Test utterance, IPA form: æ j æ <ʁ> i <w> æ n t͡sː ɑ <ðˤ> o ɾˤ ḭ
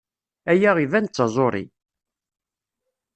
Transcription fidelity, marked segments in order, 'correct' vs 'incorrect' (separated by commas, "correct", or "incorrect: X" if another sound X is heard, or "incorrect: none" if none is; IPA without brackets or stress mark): correct, incorrect: v, incorrect: zˤ